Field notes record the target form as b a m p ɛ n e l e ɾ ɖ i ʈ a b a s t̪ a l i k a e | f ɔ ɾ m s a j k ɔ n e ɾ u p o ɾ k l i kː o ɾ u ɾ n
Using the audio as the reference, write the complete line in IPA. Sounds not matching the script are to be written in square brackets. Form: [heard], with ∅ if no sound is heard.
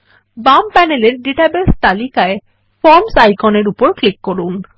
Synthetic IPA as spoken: b a m p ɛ n e l e ɾ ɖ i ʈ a b [e] s t̪ a l i k a e | f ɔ ɾ m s a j k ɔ n e ɾ u p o ɾ k l i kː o ɾ u [∅] n